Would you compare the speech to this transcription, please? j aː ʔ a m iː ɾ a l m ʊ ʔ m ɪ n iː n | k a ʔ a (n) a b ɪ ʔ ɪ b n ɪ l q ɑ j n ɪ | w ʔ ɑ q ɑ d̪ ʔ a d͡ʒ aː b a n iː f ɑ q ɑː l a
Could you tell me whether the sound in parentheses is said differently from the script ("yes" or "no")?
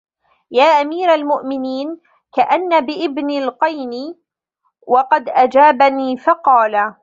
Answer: yes